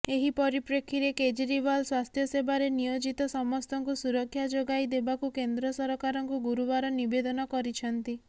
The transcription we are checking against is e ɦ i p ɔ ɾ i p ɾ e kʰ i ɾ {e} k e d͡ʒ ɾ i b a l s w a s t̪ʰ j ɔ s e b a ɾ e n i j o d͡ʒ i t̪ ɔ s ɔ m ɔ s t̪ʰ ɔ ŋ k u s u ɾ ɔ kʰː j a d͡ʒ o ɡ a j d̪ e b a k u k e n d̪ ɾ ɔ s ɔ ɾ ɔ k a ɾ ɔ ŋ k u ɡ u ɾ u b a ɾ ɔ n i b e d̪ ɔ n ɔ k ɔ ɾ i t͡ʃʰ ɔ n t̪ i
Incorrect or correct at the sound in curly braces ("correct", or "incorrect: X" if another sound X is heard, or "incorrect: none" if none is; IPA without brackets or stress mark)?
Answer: correct